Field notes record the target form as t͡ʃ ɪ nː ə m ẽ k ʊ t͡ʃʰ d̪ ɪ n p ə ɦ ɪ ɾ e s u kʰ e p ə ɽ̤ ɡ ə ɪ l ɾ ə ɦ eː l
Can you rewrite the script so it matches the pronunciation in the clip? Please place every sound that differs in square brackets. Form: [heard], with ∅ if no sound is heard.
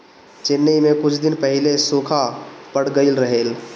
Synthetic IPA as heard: t͡ʃ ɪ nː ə m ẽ k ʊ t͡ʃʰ d̪ ɪ n p ə ɦ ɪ [l] e s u kʰ [a] p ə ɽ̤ ɡ ə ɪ l ɾ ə ɦ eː l